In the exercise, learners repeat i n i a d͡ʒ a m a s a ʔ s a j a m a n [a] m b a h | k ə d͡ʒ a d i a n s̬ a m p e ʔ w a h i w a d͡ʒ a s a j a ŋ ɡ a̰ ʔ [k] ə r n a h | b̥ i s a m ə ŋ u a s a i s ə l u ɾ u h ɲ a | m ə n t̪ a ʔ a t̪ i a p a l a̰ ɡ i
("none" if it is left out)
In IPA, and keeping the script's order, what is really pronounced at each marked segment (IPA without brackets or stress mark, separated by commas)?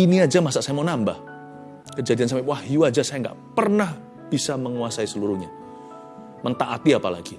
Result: a, p